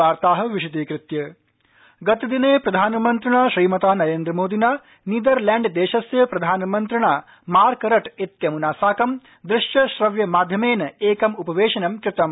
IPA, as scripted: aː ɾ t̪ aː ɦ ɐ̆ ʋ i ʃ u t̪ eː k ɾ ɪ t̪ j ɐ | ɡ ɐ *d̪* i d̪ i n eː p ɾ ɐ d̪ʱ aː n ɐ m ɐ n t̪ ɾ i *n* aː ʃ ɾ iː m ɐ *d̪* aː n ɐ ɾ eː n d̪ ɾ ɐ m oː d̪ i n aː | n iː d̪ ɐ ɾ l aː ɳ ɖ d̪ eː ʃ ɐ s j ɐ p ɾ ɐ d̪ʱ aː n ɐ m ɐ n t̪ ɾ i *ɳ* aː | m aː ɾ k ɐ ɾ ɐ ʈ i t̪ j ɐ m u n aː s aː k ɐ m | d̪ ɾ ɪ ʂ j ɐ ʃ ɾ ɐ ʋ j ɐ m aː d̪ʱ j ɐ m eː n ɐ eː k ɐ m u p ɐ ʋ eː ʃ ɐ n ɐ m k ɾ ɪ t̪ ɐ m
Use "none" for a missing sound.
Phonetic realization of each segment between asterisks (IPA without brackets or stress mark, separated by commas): t̪, ɳ, t̪, ɳ